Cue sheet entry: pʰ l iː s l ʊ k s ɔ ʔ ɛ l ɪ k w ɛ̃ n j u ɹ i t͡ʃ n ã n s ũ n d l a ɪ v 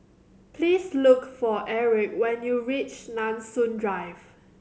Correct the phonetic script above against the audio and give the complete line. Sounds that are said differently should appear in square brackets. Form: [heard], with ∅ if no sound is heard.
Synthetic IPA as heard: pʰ l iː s l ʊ k [f] ɔ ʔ ɛ [ɹ] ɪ k w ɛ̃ n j u ɹ i t͡ʃ n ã n s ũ n d [ɹ] a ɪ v